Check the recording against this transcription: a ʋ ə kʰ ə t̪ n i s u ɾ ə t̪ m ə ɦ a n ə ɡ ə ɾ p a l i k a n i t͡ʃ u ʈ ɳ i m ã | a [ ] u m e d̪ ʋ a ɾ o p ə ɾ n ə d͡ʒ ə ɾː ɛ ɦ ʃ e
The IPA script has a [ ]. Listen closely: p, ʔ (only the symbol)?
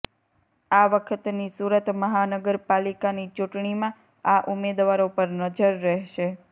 ʔ